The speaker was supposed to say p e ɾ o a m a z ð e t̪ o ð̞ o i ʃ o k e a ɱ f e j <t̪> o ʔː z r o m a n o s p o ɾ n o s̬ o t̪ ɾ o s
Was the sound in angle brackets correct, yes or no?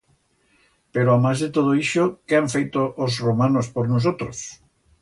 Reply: yes